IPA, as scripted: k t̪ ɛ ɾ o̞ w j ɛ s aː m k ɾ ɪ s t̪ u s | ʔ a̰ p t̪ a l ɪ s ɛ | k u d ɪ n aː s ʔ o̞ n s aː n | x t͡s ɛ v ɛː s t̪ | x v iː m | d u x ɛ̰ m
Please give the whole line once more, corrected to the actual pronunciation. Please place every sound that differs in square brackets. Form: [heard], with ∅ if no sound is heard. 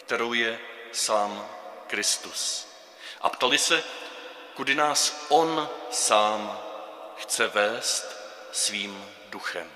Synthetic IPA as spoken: k t̪ ɛ ɾ o̞ w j ɛ s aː m k ɾ ɪ s t̪ u s | ʔ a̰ p t̪ a l ɪ s ɛ | k u d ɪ n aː s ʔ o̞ n s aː [m] | x t͡s ɛ v ɛː s t̪ | [s] v iː m | d u x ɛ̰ m